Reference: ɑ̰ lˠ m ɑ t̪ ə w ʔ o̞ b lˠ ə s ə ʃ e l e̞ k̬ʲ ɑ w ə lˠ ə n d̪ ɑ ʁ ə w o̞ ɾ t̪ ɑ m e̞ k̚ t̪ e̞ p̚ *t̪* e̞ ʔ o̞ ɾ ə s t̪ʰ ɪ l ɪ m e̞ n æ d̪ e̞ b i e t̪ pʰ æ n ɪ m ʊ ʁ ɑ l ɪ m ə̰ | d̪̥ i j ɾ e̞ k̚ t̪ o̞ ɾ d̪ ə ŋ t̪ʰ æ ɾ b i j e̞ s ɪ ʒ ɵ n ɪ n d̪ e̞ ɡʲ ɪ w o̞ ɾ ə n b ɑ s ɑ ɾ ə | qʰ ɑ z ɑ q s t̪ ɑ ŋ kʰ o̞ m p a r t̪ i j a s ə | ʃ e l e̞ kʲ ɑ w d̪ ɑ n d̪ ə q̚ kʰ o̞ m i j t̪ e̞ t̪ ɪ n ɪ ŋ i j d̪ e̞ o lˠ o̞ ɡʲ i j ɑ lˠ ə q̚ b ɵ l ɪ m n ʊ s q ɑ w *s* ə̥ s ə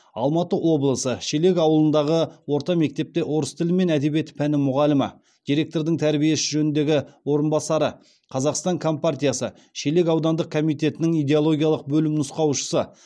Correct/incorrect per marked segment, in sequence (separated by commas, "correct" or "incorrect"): correct, incorrect